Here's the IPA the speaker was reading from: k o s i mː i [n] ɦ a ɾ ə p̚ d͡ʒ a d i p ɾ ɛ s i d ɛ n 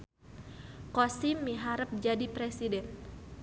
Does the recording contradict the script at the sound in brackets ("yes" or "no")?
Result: yes